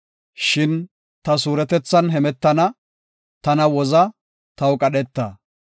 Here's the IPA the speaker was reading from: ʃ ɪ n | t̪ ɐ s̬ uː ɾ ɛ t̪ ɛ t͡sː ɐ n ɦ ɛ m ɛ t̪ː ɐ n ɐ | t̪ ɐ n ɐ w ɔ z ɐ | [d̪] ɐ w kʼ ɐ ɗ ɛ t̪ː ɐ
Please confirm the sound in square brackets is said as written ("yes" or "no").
no